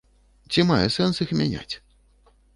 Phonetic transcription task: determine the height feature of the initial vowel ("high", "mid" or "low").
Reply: high